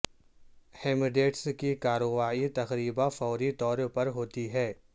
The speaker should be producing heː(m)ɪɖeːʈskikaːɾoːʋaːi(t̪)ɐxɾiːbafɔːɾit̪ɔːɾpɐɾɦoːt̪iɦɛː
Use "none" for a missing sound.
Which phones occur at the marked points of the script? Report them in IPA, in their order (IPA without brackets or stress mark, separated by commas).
m, t̪